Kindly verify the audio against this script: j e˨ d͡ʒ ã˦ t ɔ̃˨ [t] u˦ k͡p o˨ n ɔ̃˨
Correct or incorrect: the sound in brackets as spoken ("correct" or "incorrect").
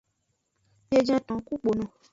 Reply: incorrect